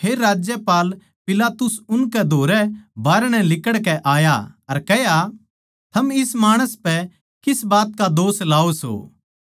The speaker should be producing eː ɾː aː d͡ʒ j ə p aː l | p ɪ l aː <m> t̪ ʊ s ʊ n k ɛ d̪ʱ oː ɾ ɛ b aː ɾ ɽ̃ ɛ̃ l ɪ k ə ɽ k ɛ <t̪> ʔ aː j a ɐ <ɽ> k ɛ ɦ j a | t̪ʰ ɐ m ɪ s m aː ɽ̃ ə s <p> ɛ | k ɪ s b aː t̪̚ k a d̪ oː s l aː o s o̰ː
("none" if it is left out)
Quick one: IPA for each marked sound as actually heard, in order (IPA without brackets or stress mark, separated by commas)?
none, none, ɾ, p